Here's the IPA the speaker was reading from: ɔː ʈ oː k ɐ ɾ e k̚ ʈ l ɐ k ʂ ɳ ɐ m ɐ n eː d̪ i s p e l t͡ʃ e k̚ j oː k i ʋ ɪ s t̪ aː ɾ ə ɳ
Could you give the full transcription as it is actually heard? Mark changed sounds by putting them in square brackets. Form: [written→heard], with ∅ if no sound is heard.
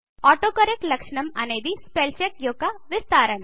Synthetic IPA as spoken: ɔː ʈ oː k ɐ ɾ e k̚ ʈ l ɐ k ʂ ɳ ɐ m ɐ n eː d̪ i s p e l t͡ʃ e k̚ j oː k [i→a] ʋ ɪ s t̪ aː ɾ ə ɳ